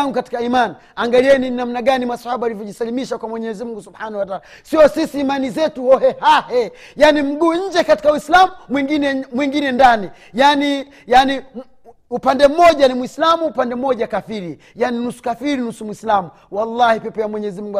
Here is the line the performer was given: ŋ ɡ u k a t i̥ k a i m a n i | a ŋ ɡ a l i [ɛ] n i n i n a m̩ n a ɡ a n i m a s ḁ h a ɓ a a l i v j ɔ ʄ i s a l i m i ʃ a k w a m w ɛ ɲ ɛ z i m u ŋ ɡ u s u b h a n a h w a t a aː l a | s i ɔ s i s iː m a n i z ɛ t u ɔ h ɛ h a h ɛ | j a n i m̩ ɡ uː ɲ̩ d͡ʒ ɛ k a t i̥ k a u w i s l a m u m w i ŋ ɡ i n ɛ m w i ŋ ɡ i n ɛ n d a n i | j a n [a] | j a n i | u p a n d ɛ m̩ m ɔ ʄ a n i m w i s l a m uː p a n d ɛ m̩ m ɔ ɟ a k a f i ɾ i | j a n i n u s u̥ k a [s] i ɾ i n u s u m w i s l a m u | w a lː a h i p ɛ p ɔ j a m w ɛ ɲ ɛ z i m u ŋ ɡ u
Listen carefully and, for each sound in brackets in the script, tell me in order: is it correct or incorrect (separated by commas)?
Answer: correct, incorrect, incorrect